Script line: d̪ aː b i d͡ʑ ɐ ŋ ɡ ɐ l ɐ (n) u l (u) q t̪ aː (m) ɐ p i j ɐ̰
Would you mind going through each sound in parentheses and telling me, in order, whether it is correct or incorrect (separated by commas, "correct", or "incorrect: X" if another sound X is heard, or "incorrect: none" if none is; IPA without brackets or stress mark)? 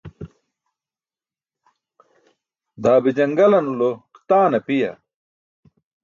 correct, incorrect: o, incorrect: n